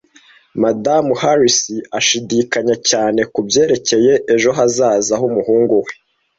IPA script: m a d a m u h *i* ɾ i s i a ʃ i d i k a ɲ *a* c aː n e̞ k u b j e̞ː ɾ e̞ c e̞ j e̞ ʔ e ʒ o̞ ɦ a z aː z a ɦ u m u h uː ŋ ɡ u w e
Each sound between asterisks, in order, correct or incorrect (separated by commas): incorrect, correct